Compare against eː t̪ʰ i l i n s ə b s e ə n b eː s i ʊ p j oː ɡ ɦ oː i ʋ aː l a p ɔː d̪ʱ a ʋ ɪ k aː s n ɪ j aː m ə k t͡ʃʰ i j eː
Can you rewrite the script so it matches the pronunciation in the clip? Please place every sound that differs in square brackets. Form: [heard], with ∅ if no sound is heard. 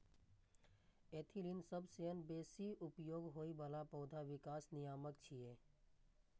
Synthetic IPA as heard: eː t̪ʰ i l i n s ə b s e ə n b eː s i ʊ p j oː ɡ ɦ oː i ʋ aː l a p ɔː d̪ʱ a ʋ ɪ k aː s n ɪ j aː m ə k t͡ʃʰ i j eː